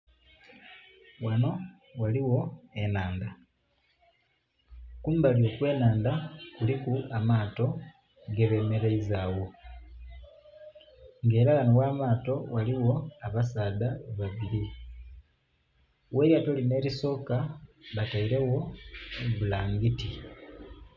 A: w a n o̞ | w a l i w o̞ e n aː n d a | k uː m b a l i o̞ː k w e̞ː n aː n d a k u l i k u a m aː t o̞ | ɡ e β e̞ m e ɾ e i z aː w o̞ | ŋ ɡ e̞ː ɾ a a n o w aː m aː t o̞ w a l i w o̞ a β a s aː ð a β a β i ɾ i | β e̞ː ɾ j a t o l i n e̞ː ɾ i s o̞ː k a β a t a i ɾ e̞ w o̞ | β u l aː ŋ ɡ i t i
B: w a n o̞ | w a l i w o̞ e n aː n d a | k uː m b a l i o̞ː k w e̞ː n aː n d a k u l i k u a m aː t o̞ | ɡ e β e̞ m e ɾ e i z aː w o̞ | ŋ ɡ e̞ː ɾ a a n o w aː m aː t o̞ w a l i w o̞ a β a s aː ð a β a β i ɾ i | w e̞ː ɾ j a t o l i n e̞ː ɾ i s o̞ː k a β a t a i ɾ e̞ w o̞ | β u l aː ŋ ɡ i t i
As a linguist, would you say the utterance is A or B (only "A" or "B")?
B